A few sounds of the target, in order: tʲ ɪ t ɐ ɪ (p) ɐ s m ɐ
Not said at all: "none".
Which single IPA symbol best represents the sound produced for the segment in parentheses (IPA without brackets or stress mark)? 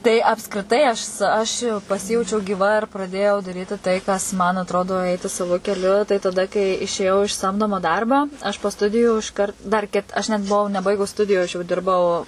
k